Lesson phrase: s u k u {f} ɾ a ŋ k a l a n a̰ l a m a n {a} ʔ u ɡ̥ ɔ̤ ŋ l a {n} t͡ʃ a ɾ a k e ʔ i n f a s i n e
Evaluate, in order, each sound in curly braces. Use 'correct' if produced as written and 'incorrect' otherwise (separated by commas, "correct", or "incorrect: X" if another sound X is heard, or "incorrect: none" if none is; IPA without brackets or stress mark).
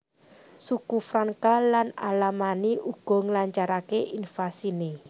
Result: correct, incorrect: i, incorrect: ɲ